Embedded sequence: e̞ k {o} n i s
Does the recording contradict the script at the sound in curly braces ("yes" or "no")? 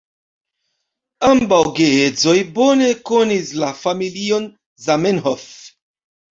no